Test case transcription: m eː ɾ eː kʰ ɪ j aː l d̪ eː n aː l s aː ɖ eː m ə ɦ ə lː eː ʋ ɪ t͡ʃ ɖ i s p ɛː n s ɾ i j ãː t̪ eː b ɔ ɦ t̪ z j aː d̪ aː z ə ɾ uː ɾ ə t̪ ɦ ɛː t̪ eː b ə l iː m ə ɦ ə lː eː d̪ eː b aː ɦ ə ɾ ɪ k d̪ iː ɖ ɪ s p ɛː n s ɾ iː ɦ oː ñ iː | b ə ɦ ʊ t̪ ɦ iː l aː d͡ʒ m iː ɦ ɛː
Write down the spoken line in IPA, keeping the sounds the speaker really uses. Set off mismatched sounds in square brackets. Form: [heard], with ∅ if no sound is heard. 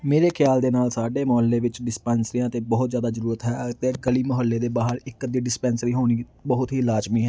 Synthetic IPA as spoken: m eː ɾ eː kʰ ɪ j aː l d̪ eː n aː l s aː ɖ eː m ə ɦ ə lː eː ʋ ɪ t͡ʃ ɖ [ɪ] s p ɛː n s ɾ i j ãː t̪ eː b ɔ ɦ t̪ z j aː d̪ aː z ə ɾ uː ɾ ə t̪ ɦ ɛː t̪ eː [ɡ] ə l iː m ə ɦ ə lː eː d̪ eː b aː ɦ ə ɾ ɪ k d̪ iː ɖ ɪ s p ɛː n s ɾ iː ɦ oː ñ iː | b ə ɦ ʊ t̪ ɦ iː l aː d͡ʒ m iː ɦ ɛː